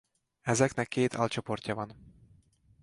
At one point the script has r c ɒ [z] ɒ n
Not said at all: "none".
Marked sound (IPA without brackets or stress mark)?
v